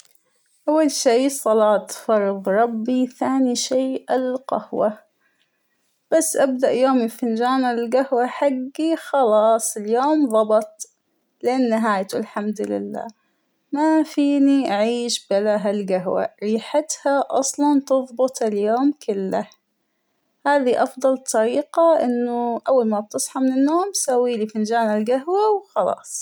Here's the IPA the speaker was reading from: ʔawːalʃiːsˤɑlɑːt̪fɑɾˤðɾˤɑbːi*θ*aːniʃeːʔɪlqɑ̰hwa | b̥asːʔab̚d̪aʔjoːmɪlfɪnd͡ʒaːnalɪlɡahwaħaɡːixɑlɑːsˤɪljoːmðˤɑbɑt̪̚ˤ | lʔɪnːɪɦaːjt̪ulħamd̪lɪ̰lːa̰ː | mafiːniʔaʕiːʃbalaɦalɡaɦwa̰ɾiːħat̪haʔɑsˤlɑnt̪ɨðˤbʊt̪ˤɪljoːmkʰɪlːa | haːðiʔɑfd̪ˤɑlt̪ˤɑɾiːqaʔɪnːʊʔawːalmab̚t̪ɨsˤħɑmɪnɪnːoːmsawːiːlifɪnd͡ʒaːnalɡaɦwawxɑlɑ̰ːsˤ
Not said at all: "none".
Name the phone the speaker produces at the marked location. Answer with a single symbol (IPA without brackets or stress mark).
θ